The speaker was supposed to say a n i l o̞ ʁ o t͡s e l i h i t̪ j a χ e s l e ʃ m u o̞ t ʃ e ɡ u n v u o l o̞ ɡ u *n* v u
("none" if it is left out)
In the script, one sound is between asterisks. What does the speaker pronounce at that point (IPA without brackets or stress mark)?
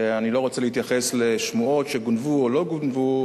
n